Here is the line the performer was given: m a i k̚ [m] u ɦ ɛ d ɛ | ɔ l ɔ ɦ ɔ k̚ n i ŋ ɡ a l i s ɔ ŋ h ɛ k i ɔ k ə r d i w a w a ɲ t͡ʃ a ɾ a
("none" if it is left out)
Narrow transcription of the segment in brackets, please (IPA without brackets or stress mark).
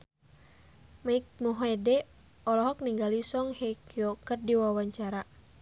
m